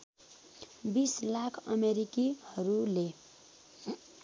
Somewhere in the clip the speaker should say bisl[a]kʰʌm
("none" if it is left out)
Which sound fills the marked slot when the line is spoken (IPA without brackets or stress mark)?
a